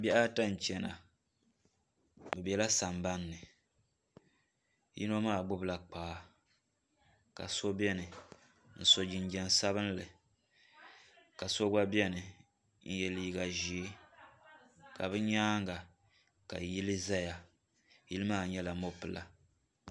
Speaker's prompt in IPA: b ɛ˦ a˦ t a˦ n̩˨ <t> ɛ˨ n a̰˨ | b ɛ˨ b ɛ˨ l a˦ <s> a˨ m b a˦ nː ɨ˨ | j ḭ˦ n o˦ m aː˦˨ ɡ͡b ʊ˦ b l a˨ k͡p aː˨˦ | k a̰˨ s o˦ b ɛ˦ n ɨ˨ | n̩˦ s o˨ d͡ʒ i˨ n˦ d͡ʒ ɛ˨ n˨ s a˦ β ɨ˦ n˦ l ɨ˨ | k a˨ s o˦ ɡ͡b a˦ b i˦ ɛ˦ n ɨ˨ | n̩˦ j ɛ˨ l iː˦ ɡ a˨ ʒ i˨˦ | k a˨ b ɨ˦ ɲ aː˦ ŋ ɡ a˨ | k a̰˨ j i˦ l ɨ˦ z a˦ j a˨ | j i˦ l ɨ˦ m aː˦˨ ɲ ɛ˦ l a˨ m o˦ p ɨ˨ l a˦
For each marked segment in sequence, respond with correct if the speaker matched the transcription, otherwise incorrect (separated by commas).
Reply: incorrect, correct